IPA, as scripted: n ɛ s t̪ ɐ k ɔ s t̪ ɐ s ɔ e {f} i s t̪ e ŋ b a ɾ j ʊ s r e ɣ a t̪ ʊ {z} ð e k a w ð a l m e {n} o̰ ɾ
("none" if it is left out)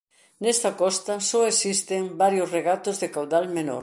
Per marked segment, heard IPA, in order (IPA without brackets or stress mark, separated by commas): s, z, n